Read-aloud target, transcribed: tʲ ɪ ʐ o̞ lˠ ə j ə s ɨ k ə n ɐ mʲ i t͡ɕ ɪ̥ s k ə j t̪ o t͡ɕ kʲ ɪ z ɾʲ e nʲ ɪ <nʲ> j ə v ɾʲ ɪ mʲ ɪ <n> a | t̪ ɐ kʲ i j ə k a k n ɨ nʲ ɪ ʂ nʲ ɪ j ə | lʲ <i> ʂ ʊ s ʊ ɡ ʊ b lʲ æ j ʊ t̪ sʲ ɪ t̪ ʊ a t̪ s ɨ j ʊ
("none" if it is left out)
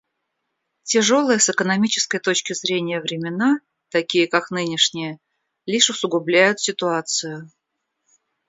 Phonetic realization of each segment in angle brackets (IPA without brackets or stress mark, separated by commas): none, n, i